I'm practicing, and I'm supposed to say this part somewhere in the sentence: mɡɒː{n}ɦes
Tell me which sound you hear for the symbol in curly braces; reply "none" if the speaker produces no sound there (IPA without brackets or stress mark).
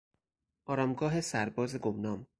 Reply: none